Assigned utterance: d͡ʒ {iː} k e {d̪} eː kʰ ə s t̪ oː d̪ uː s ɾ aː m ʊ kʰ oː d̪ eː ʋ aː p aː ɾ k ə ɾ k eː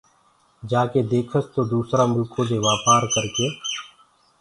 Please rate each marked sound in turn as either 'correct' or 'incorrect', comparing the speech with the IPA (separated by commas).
incorrect, correct